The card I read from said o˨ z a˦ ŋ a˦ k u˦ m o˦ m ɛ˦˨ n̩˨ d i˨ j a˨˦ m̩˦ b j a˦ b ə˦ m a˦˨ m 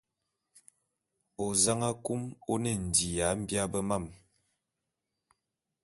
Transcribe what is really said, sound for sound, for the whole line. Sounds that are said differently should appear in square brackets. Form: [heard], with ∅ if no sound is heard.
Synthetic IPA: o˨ z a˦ ŋ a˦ k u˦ m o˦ [n] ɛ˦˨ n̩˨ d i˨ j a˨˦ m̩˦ b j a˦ b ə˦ m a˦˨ m